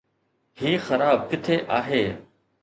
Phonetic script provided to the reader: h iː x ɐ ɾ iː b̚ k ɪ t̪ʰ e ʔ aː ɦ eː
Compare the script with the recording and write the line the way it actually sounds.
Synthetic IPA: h iː x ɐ ɾ aː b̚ k ɪ t̪ʰ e ʔ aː ɦ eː